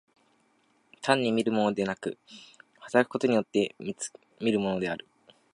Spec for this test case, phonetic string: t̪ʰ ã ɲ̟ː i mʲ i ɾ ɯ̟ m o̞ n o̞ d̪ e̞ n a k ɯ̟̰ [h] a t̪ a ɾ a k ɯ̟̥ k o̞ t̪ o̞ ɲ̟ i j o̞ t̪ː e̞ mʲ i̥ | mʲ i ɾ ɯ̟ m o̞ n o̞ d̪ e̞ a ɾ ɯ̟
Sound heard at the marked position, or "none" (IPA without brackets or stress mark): h